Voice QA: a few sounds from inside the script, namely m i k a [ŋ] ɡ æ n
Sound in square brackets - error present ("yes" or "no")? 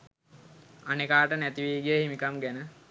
yes